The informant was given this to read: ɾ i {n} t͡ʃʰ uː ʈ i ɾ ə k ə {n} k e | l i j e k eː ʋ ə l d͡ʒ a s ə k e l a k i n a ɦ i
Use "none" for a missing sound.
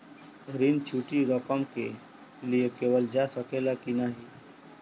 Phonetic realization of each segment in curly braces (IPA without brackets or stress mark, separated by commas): n, m